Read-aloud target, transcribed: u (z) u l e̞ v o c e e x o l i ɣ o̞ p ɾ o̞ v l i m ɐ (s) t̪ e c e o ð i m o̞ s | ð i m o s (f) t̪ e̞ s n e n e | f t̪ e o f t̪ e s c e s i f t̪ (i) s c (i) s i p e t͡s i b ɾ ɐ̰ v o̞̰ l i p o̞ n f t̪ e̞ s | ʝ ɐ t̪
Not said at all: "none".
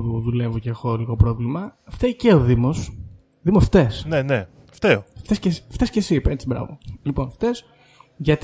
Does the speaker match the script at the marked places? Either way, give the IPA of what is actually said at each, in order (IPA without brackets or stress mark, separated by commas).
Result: ð, f, f, e, e